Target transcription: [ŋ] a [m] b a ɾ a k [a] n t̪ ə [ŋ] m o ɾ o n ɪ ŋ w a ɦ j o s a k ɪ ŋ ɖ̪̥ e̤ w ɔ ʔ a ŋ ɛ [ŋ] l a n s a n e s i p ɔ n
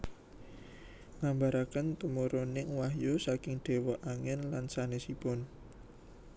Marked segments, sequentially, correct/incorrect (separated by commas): correct, correct, incorrect, incorrect, incorrect